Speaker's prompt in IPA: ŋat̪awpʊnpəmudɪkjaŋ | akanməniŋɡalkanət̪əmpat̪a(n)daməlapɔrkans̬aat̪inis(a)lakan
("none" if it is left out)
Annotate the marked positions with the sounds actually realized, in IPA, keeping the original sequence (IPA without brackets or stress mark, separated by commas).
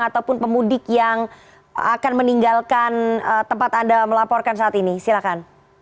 n, i